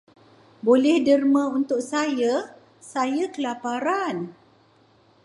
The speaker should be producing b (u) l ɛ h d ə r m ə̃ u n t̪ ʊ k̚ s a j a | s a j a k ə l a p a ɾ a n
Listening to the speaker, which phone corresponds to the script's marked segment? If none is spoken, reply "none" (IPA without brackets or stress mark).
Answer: o